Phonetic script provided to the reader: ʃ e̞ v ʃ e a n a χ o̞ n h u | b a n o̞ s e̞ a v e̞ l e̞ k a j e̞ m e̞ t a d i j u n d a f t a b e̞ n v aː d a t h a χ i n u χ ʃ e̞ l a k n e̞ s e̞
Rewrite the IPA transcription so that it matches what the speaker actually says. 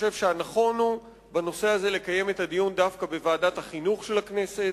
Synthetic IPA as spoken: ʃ e̞ v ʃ e a n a χ o̞ n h u | b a n o̞ s e̞ a z e̞ l e̞ k a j e̞ m e̞ t a d i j u n d a f k a b e̞ v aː d a t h a χ i n u χ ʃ e̞ l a k n e̞ s e̞